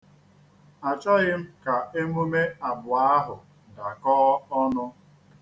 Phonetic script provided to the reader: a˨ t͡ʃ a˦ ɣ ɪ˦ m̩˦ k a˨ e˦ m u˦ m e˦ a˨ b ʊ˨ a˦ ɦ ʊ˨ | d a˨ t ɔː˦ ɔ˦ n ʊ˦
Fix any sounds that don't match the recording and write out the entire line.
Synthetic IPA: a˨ t͡ʃ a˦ ɣ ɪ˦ m̩˦ k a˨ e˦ m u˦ m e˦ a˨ b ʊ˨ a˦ ɦ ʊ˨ | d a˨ k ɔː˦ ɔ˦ n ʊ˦

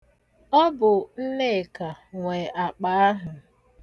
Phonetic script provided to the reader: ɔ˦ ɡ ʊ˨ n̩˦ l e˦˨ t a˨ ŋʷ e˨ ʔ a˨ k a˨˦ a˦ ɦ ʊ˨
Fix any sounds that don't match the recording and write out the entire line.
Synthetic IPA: ɔ˦ b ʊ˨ n̩˦ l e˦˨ k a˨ ŋʷ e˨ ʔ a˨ k͡p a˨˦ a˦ ɦ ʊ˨

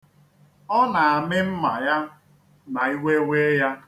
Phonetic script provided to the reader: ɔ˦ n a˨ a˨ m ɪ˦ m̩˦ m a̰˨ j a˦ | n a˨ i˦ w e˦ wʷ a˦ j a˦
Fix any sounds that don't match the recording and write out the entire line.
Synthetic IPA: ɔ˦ n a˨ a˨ m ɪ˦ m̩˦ m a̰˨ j a˦ | n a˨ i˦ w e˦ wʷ e˦ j a˦

